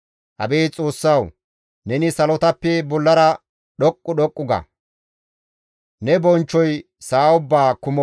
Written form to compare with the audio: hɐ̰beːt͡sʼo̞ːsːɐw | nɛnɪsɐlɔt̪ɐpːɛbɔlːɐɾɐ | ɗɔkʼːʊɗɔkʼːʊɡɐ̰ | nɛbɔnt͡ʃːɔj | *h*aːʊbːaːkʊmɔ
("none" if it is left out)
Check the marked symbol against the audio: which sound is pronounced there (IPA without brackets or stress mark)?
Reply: s